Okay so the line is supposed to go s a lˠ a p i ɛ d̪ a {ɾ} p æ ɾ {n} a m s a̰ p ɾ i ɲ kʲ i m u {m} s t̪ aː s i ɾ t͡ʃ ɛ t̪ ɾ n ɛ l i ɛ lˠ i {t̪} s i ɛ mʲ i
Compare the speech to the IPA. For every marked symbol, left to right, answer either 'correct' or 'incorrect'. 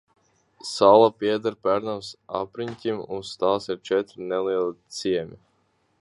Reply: correct, correct, incorrect: n, correct

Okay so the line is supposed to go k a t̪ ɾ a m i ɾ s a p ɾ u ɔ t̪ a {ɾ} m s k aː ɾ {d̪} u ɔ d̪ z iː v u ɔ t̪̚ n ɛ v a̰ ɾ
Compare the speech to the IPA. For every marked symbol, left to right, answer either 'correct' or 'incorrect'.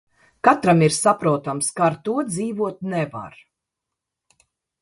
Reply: incorrect: none, incorrect: t̪

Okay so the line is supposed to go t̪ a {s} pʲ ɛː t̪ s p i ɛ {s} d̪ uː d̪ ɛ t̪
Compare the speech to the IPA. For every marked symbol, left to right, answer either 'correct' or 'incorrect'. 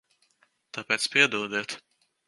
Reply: incorrect: none, incorrect: none

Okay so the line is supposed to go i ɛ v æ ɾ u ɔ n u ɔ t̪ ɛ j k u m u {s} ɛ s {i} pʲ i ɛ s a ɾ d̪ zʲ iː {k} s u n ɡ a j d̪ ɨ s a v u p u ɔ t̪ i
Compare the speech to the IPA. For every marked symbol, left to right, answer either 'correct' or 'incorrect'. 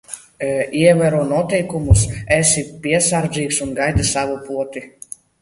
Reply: correct, correct, correct

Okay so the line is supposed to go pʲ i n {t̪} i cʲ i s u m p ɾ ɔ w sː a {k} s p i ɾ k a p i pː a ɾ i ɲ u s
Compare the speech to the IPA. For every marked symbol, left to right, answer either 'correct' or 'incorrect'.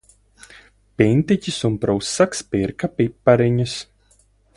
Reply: correct, correct

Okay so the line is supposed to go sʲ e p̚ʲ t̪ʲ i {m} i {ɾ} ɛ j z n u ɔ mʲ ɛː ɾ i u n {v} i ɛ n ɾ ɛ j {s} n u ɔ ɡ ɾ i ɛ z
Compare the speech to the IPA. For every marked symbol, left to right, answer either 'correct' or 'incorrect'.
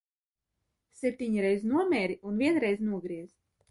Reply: incorrect: ɲ, correct, correct, incorrect: z

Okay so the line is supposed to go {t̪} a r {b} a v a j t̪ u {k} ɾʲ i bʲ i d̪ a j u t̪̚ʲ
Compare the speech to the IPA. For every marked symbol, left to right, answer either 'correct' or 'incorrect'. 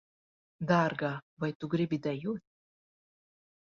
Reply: incorrect: d̪, incorrect: ɡ, incorrect: ɡ

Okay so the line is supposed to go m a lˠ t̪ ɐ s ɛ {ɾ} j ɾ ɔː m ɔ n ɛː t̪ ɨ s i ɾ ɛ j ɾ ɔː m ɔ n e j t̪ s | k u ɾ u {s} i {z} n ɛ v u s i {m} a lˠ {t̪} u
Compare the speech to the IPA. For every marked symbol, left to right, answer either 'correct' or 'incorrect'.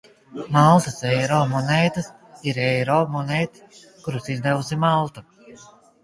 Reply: incorrect: none, correct, correct, correct, correct

